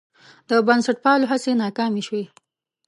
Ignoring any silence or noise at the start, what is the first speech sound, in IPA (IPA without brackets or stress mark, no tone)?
d̪